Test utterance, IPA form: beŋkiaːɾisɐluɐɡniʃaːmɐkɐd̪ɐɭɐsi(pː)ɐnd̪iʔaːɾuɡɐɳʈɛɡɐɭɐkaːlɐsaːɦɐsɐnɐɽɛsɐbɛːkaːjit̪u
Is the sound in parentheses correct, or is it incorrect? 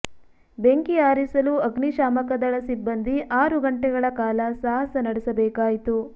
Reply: incorrect